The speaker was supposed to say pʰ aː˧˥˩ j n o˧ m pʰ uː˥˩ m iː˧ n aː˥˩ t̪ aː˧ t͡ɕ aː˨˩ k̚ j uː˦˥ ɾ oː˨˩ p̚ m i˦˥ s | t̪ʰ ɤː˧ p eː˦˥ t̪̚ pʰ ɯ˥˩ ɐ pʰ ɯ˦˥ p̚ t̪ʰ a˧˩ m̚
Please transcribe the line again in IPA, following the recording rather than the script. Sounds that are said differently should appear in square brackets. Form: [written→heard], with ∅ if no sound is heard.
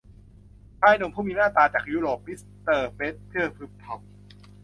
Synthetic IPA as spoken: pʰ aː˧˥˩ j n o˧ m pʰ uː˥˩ m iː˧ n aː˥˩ t̪ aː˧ t͡ɕ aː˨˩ k̚ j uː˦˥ ɾ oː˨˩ p̚ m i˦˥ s | [t̪ʰ→t̪] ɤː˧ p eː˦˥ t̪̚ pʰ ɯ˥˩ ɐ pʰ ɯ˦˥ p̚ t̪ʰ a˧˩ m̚

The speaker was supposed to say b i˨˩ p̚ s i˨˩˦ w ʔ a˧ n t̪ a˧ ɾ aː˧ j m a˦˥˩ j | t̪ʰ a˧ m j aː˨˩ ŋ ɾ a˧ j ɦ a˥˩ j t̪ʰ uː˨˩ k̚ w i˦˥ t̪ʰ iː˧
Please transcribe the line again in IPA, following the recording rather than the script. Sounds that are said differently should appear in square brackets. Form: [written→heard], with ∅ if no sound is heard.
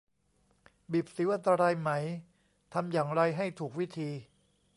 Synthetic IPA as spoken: b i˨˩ p̚ s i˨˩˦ w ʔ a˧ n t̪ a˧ ɾ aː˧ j m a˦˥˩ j | t̪ʰ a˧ m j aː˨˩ ŋ ɾ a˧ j ɦ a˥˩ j t̪ʰ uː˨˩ k̚ w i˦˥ t̪ʰ iː˧

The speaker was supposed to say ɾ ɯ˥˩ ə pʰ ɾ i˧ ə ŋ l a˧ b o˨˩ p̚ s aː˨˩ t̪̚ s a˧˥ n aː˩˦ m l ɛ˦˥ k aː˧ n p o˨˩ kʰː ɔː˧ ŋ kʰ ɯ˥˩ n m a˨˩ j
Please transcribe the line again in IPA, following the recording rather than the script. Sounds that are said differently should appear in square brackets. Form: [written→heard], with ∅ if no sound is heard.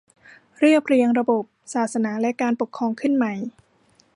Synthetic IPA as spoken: ɾ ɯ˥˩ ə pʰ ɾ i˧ ə ŋ [l→ɾ] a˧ b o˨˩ p̚ s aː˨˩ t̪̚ s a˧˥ n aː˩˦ [m→∅] l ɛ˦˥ k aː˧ n p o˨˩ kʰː ɔː˧ ŋ kʰ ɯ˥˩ n m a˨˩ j

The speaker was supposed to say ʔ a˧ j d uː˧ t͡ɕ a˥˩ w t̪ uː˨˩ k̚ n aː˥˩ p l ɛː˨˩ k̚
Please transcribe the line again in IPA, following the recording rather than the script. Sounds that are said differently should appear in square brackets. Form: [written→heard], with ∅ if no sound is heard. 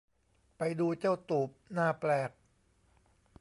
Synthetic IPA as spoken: [ʔ→p] a˧ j d uː˧ t͡ɕ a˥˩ w t̪ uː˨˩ [k̚→p̚] n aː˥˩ p l ɛː˨˩ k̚

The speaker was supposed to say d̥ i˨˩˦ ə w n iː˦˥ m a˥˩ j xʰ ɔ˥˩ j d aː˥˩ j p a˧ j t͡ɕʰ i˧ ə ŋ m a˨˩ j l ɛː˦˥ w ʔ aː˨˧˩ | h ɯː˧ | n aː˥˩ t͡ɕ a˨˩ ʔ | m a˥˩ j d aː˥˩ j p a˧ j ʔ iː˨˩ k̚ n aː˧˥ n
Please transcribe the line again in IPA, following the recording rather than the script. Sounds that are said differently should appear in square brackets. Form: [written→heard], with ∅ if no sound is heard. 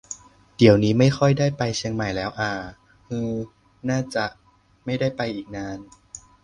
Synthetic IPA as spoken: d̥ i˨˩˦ ə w n iː˦˥ m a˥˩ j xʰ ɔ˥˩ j d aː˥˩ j p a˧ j t͡ɕʰ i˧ ə ŋ m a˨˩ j l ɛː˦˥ w ʔ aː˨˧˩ | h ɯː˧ | n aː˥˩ t͡ɕ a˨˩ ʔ | m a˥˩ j d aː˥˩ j p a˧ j ʔ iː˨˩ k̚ n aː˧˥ n

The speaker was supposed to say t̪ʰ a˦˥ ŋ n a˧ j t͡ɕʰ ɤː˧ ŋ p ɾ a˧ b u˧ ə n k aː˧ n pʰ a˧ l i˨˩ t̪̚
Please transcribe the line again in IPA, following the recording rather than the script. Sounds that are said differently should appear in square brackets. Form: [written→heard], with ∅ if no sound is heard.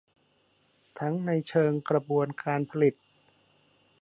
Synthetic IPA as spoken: t̪ʰ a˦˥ ŋ n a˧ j t͡ɕʰ ɤː˧ ŋ [p→k] ɾ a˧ b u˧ ə n k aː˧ n pʰ a˧ l i˨˩ t̪̚

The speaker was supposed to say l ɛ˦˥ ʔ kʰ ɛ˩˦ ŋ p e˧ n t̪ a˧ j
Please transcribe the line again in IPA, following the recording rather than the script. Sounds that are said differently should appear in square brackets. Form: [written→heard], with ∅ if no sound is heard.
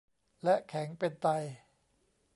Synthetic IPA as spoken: l ɛ˦˥ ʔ kʰ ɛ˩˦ ŋ p e˧ n t̪ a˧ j

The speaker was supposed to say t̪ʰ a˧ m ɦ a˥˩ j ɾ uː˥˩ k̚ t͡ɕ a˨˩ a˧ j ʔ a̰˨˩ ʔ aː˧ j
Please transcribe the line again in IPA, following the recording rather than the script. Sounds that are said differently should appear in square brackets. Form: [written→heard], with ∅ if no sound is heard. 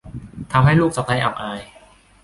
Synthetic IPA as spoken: t̪ʰ a˧ m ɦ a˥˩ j [ɾ→l] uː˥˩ k̚ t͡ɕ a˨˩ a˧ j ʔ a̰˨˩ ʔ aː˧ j

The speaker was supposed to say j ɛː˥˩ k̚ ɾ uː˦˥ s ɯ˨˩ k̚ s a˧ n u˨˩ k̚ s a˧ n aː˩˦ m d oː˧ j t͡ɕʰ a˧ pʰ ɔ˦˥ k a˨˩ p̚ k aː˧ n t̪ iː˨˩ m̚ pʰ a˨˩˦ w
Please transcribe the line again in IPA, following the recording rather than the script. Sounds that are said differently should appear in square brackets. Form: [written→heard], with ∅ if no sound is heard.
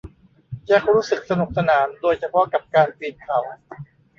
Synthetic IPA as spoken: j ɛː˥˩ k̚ ɾ uː˦˥ s ɯ˨˩ k̚ s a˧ n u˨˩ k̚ s a˧ n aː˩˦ m d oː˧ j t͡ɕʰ a˧ pʰ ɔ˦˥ k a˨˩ p̚ k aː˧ n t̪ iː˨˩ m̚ [pʰ→kʰ] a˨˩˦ w

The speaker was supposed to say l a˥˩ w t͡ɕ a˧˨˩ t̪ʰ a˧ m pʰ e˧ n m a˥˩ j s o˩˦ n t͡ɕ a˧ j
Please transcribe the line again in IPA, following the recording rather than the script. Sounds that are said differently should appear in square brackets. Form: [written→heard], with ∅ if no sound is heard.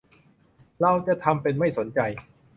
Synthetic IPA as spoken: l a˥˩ w t͡ɕ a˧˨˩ t̪ʰ a˧ m [pʰ→p] e˧ n m a˥˩ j s o˩˦ n t͡ɕ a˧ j

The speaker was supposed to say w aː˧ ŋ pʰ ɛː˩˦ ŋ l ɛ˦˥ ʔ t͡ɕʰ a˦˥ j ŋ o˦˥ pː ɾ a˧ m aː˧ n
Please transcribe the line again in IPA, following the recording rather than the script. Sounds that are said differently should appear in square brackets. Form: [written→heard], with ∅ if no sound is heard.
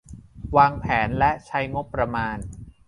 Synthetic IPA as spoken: w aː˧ ŋ pʰ ɛː˩˦ [ŋ→n] l ɛ˦˥ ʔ t͡ɕʰ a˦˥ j ŋ o˦˥ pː ɾ a˧ m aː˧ n

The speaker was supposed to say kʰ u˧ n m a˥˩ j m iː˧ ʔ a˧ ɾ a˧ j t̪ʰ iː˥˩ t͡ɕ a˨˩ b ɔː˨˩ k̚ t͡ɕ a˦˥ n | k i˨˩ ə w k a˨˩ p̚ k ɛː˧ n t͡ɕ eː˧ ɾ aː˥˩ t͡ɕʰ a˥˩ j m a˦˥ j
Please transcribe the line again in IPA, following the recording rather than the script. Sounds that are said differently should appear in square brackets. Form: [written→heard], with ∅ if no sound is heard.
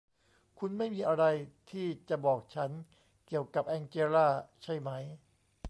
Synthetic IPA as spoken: kʰ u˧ n m a˥˩ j m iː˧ ʔ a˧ ɾ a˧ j t̪ʰ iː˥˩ t͡ɕ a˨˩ b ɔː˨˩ k̚ [t͡ɕ→t͡ɕʰ] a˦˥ n | k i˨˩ ə w k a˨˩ p̚ [k→ʔ] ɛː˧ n t͡ɕ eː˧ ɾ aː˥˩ t͡ɕʰ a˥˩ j m a˦˥ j

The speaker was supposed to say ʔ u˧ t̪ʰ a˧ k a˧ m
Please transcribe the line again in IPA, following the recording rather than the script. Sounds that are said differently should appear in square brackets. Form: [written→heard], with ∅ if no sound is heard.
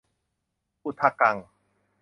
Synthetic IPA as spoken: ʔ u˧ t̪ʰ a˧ k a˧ [m→ŋ]

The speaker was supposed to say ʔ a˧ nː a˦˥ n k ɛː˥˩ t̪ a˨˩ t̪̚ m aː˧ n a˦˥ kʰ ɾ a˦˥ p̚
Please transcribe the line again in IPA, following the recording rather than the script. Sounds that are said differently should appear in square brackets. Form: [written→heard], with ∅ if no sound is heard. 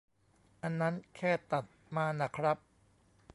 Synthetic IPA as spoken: ʔ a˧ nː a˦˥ n [k→kʰ] ɛː˥˩ t̪ a˨˩ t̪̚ m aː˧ n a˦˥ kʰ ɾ a˦˥ p̚

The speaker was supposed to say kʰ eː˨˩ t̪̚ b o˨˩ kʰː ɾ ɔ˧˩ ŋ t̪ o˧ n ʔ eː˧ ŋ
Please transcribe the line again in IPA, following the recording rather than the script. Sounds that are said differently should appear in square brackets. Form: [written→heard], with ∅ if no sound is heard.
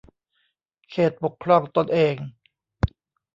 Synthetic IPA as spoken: kʰ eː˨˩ t̪̚ b o˨˩ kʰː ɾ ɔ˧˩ ŋ t̪ o˧ n ʔ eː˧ ŋ

